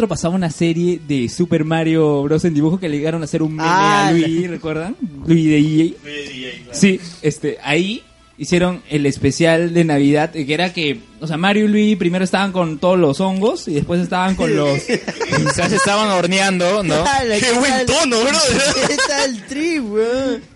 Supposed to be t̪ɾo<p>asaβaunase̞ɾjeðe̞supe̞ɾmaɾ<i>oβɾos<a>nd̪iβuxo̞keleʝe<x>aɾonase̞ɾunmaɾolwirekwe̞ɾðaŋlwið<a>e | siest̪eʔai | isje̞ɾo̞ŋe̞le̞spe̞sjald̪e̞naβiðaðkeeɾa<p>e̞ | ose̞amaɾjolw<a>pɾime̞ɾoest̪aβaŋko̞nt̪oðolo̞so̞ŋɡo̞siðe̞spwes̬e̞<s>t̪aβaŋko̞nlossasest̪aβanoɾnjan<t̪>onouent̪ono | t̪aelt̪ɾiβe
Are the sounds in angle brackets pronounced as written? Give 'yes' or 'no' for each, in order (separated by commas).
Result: yes, no, no, no, no, no, no, yes, no